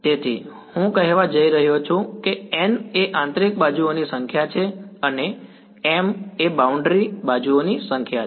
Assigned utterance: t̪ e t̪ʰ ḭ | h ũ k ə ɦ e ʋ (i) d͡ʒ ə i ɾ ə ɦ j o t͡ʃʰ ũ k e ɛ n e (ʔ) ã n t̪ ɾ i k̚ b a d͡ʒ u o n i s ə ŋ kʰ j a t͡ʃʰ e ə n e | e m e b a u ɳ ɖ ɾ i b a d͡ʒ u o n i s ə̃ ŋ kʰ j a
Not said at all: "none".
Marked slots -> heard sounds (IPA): a, ʔ

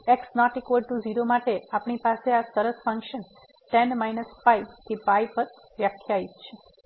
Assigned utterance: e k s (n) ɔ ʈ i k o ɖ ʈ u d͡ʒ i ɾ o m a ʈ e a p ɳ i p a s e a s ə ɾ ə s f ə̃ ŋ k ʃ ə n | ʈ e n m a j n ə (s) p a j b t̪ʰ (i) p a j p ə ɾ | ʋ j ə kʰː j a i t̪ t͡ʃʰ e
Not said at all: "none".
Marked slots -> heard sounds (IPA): n, s, i

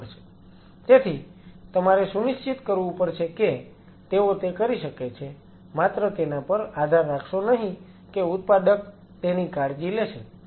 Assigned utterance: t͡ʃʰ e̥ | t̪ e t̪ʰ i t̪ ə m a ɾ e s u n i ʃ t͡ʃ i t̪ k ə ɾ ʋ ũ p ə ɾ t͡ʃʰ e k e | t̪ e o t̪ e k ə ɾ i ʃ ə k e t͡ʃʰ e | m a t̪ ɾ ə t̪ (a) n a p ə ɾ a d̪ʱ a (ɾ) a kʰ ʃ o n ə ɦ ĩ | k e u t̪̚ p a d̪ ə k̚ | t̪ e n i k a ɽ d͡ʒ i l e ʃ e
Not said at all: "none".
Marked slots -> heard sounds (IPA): e, ɾː

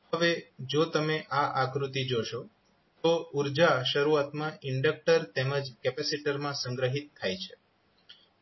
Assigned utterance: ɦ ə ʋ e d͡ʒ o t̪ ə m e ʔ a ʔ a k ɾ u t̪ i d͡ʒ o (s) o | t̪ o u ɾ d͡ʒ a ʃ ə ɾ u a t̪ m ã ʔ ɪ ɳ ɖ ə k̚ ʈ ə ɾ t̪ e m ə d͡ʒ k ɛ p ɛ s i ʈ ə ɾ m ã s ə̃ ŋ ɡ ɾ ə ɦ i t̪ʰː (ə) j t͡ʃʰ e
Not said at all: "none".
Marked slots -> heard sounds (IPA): ʃ, a

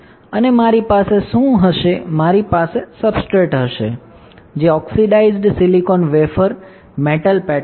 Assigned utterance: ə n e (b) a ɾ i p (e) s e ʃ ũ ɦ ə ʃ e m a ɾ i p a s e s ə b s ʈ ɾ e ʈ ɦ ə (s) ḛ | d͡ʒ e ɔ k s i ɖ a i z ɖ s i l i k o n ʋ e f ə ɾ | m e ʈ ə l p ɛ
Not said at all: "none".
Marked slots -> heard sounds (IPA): m, a, ʃ

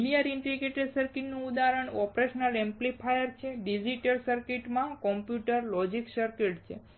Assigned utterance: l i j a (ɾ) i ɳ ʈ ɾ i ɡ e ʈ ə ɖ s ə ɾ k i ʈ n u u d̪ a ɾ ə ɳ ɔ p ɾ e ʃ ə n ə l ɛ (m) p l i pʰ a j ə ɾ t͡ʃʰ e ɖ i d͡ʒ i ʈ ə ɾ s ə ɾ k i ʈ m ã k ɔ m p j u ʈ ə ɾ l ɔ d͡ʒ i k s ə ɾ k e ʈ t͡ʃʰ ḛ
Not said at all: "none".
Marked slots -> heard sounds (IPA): ɾ, m

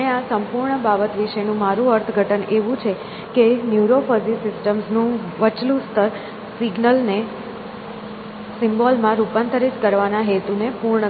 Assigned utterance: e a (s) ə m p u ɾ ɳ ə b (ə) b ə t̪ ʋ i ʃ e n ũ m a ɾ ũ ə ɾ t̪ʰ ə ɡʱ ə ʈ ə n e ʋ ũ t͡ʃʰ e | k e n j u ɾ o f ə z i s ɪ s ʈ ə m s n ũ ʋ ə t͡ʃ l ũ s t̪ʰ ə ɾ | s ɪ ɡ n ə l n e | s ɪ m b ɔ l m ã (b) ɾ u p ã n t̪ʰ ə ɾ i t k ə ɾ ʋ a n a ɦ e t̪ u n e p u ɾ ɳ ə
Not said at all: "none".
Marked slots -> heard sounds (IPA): s, a, none

